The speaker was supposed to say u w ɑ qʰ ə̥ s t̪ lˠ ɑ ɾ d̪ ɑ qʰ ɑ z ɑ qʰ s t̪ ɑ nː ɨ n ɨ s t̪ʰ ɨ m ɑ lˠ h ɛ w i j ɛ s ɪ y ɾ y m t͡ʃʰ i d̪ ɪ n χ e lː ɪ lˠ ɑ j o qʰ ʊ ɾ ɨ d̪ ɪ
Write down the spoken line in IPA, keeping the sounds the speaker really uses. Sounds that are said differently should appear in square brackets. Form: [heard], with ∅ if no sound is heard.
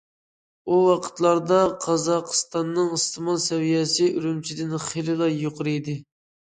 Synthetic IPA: u w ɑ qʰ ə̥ [∅] t̪ lˠ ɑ ɾ d̪ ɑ qʰ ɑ z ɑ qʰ s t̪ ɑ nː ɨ [ŋ] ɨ s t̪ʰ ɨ m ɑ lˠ [s] ɛ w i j ɛ s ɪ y ɾ y m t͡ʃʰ i d̪ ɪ n χ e [l] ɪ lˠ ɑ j o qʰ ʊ ɾ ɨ d̪ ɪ